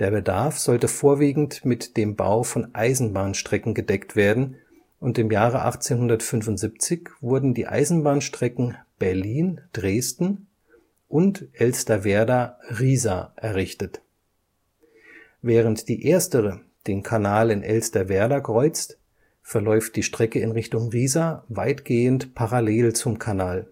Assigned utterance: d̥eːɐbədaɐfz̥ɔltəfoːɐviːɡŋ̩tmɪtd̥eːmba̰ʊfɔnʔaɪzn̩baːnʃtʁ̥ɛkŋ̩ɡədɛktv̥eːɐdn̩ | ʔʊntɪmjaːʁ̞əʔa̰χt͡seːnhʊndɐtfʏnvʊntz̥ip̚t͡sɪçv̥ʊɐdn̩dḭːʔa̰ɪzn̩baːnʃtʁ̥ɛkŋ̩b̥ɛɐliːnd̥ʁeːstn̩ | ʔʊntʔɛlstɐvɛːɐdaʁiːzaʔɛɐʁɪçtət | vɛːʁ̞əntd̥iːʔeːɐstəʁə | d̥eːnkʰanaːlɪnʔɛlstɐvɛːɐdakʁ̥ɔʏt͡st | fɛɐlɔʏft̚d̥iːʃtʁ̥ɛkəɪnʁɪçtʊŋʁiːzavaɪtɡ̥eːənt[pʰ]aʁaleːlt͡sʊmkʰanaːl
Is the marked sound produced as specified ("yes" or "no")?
yes